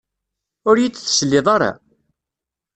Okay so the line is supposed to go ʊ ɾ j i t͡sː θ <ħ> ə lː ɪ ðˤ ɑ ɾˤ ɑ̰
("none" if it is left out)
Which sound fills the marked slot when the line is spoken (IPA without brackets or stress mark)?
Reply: s